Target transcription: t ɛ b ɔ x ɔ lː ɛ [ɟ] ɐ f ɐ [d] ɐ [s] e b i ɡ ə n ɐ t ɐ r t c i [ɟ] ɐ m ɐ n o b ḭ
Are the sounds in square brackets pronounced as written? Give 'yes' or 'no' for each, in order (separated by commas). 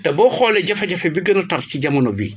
yes, no, no, yes